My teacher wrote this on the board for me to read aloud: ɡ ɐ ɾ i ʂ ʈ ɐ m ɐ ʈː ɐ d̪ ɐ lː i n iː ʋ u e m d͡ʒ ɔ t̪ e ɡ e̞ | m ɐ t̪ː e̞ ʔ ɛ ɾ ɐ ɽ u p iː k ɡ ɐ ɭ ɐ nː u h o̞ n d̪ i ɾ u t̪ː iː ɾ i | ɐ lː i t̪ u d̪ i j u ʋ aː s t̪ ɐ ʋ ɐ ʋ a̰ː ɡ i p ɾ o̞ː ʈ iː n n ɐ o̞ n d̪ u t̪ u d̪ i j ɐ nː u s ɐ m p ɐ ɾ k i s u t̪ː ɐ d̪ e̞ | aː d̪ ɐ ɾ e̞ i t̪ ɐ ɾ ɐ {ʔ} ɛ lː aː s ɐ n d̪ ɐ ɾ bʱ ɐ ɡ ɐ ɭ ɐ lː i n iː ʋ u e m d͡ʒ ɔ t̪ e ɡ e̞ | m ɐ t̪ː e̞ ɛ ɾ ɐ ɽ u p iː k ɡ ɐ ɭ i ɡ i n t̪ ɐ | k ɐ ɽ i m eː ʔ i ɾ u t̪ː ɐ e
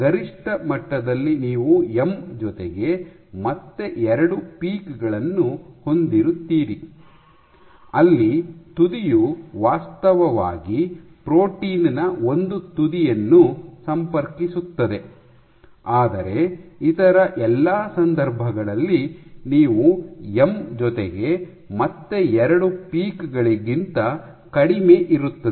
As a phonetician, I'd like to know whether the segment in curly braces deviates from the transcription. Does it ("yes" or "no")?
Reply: no